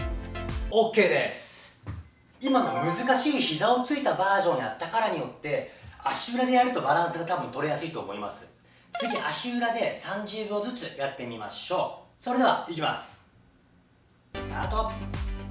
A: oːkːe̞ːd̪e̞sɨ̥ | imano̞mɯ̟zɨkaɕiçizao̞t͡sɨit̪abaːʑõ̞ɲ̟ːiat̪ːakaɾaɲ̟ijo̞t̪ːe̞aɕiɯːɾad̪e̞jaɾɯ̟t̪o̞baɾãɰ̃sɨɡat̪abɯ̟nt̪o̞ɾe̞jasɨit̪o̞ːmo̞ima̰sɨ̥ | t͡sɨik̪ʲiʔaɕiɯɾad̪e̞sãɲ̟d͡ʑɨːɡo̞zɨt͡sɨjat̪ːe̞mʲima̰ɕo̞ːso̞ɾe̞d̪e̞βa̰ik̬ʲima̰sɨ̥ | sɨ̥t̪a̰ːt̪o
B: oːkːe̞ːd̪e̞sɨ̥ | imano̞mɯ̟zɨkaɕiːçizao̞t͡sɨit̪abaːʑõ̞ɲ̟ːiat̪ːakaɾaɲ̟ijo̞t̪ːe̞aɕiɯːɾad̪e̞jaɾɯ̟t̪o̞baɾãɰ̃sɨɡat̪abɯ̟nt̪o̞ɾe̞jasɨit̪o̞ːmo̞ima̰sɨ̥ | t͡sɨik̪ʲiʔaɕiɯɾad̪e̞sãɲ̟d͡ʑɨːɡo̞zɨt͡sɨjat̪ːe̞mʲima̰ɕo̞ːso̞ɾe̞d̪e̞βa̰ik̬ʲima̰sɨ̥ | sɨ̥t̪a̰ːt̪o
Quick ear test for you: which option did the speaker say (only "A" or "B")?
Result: B